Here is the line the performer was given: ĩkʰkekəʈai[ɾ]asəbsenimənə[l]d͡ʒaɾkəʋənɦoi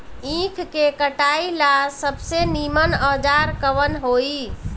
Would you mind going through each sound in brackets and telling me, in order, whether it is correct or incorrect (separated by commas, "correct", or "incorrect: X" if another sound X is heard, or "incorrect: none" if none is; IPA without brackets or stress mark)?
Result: incorrect: l, incorrect: none